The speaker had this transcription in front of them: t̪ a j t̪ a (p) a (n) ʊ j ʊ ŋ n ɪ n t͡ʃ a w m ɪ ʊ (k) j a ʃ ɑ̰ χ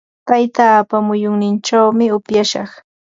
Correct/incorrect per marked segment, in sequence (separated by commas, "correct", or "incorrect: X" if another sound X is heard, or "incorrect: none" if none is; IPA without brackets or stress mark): correct, incorrect: m, incorrect: p